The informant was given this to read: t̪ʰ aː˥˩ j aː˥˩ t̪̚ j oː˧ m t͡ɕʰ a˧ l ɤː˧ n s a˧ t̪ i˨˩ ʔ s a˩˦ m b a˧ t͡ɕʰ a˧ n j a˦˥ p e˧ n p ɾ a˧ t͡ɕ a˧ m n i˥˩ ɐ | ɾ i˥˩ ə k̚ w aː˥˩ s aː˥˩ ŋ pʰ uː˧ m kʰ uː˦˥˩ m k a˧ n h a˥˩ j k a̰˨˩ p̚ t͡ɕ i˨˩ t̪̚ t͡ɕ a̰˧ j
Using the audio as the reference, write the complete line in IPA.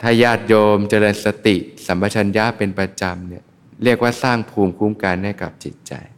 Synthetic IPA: t̪ʰ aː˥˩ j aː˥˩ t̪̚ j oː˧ m t͡ɕ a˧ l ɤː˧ n s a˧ t̪ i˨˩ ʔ s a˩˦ m b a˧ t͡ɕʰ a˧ n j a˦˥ p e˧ n p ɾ a˧ t͡ɕ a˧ m n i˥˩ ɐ | ɾ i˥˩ ə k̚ w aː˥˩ s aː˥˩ ŋ pʰ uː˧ m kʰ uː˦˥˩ m k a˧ n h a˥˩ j k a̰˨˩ p̚ t͡ɕ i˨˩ t̪̚ t͡ɕ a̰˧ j